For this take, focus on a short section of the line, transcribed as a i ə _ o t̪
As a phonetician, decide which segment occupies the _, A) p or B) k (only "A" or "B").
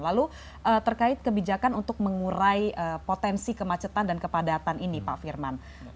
A